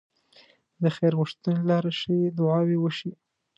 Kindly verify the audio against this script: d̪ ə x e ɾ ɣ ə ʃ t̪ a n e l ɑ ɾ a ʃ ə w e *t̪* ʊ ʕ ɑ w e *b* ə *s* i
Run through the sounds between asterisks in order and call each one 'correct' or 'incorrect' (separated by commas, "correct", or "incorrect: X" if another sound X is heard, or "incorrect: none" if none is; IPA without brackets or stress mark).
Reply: incorrect: d̪, incorrect: w, incorrect: ʃ